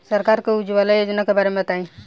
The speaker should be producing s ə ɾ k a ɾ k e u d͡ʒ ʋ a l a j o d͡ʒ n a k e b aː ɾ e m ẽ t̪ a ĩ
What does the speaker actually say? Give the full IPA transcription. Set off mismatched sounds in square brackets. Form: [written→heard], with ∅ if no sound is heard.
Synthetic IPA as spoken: s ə ɾ k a ɾ k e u d͡ʒ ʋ a l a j o d͡ʒ n a k e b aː ɾ e m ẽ t̪ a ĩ